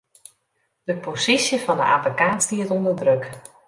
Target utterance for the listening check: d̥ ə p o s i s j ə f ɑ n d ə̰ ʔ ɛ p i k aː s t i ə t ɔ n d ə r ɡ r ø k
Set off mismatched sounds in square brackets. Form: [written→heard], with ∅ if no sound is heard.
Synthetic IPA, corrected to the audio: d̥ ə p o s i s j ə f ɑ n d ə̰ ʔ [ɛ→a] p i k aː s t i ə t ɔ n d ə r [ɡ→d] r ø k

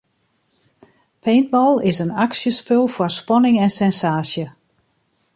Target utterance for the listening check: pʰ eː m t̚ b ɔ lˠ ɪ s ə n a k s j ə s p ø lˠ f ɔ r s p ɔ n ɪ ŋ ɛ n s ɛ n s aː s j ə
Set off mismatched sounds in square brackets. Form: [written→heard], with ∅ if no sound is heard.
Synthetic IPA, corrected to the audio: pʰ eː [m→n] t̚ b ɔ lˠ ɪ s ə n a k s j ə s p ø lˠ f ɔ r s p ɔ n ɪ ŋ ɛ n s ɛ n s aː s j ə

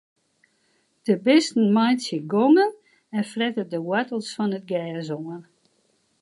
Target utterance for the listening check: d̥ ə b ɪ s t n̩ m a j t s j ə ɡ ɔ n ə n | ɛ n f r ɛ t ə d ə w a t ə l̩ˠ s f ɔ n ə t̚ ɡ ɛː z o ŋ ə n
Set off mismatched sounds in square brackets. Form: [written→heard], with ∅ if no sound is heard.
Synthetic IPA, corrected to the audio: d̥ ə b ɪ s t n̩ m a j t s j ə ɡ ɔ [n→ŋ] ə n | ɛ n f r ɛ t ə d ə w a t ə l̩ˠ s f ɔ n ə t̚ ɡ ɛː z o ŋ ə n

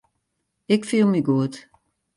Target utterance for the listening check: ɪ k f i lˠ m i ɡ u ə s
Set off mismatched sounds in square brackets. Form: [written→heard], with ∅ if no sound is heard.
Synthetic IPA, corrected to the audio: ɪ k f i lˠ m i ɡ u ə [s→t]

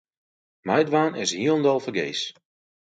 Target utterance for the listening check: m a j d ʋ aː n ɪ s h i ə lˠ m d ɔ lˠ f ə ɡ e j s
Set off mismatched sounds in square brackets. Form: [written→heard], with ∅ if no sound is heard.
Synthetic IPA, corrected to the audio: m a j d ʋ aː n ɪ s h i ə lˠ [m→n] d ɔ lˠ f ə ɡ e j s

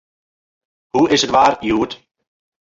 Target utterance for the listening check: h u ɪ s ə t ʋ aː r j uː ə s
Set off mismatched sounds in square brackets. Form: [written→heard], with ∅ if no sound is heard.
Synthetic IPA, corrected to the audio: h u ɪ s ə t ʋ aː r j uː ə [s→t]

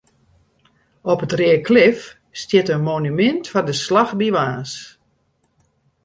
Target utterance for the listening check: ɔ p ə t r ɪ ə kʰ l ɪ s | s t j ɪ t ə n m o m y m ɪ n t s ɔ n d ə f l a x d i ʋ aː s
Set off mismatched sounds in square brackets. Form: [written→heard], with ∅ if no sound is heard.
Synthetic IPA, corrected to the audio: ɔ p ə t r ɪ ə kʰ l ɪ [s→f] | s t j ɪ t ə n m o [m→n] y m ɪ n t [s→f] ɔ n d ə [f→s] l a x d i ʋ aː s

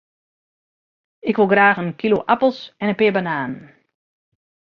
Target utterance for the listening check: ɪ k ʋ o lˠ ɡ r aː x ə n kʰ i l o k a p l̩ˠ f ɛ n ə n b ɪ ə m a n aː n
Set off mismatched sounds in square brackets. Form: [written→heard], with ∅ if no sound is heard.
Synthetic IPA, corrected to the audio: ɪ k ʋ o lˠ ɡ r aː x ə n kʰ i l o [k→ʔ] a p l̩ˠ [f→s] ɛ n ə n [b→p] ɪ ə [m→b] a n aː n

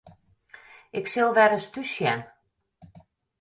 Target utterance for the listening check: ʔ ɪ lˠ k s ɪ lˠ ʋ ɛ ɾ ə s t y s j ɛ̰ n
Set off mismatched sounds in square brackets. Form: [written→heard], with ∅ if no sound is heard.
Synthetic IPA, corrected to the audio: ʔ ɪ [lˠ→∅] k s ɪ lˠ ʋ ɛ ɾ ə s t y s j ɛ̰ n

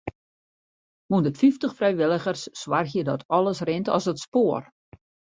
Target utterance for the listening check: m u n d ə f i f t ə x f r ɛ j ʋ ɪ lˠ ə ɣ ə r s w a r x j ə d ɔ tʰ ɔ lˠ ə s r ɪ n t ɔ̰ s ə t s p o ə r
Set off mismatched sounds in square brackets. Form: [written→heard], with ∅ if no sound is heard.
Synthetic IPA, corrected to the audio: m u n d ə f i f t ə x f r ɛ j ʋ ɪ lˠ ə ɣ ə r [s→sː] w a r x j ə d ɔ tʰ ɔ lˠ ə s r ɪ n t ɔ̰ s ə t s p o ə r

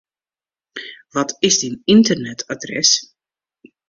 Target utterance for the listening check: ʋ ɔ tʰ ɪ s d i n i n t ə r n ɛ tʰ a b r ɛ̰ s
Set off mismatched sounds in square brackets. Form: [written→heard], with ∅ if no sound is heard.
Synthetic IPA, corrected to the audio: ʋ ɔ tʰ ɪ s d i n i n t ə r n ɛ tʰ a [b→d] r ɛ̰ s

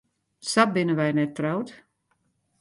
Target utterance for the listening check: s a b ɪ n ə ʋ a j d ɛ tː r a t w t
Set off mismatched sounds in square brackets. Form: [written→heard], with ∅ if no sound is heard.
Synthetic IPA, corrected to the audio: s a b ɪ n ə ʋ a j [d→n] ɛ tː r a [t→∅] w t

